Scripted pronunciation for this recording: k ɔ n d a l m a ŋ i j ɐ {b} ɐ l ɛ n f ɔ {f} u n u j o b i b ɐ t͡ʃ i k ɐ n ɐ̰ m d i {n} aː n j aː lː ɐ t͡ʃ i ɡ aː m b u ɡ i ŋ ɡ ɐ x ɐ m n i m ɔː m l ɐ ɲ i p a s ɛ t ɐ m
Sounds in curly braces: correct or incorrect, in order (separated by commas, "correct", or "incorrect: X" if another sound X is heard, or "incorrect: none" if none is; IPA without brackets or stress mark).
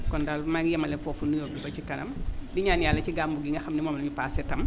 incorrect: m, correct, incorrect: ɲ